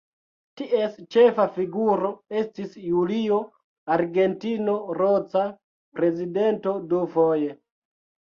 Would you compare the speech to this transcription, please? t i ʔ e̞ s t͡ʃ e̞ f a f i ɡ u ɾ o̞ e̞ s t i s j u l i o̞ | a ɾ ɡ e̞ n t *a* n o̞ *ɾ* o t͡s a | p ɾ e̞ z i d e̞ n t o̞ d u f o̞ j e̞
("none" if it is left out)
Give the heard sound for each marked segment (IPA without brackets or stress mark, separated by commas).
i, ɾ